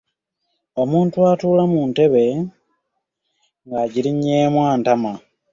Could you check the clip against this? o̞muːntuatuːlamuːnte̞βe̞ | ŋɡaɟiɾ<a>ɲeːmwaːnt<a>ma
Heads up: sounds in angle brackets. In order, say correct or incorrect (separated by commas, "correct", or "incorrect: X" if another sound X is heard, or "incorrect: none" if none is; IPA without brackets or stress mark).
incorrect: i, correct